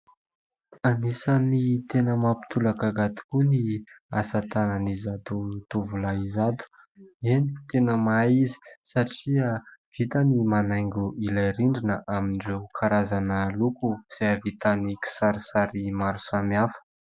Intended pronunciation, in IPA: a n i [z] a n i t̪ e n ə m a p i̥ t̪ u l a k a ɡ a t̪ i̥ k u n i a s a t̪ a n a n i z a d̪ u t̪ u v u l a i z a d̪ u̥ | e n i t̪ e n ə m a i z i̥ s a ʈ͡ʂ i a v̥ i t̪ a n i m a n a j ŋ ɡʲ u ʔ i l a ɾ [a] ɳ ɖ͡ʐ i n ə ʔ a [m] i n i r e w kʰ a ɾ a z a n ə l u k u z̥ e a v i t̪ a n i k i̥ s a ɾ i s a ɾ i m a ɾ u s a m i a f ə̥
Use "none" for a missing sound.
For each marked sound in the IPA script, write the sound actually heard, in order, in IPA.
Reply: s, i, m

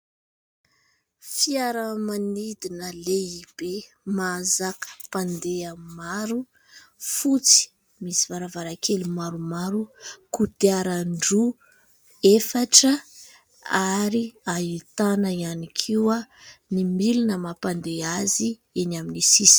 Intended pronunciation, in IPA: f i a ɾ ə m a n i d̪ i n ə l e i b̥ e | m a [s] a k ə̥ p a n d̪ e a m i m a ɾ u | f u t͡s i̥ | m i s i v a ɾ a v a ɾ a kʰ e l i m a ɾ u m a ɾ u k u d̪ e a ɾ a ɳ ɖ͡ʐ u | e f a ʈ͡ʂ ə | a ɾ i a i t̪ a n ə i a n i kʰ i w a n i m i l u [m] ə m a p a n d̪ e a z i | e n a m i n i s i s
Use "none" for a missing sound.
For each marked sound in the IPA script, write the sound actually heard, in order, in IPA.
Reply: z, n

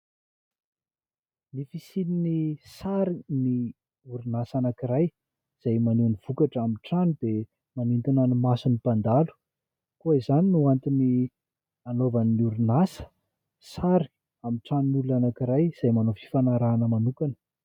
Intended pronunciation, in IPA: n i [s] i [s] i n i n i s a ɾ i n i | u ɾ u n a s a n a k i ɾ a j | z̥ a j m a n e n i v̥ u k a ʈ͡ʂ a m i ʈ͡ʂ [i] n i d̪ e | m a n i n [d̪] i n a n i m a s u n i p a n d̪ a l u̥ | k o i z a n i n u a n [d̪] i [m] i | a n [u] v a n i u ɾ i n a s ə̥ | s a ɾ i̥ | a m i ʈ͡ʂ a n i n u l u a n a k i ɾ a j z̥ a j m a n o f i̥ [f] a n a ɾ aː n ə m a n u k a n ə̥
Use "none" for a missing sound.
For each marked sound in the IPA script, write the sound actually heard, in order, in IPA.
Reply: f, s, a, t̪, t̪, n, o, f

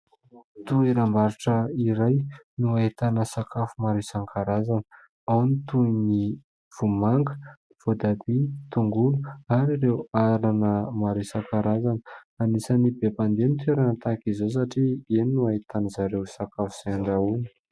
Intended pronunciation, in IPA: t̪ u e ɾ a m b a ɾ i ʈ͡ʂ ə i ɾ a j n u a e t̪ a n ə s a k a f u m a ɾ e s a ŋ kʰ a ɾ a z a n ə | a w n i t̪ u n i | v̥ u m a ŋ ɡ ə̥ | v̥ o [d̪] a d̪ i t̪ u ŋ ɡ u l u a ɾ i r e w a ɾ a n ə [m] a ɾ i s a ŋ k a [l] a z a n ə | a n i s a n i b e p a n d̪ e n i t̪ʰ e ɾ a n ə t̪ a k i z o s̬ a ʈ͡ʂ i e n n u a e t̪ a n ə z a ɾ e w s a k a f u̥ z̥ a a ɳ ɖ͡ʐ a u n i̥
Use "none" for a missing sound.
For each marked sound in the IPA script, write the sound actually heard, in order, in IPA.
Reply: d̪, m, ɾ

